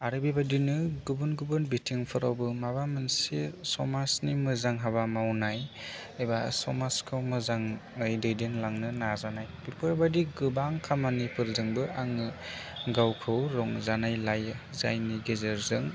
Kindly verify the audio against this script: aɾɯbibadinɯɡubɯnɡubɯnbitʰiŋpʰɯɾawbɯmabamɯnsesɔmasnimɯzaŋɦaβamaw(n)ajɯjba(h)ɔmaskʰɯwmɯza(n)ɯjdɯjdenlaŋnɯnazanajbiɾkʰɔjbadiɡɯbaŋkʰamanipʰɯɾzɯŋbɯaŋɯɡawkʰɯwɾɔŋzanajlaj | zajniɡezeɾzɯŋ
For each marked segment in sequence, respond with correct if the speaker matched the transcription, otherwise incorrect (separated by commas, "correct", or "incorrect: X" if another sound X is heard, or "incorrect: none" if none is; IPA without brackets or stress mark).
correct, incorrect: s, incorrect: ŋ